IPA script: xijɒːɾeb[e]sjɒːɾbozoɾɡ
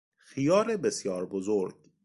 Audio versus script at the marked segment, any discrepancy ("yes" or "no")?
no